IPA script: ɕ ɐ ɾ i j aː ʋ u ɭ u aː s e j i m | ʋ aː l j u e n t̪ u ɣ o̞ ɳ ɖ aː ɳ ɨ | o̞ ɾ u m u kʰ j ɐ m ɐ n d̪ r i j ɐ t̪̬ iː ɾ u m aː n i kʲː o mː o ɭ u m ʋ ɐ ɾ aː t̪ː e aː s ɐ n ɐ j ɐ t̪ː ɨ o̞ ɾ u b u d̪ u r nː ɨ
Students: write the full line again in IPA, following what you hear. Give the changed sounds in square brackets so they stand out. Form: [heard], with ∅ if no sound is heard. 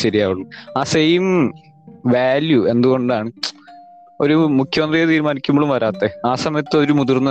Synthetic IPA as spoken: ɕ ɐ ɾ i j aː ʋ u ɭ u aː s e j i m | ʋ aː l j u e n [d̪] u ɣ o̞ ɳ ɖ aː ɳ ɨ | o̞ ɾ u m u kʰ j ɐ m ɐ n d̪ r i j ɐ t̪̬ iː ɾ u m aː n i kʲː [u] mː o ɭ u m ʋ ɐ ɾ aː t̪ː e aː s ɐ [m] ɐ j ɐ t̪ː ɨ o̞ ɾ u [m] u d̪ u r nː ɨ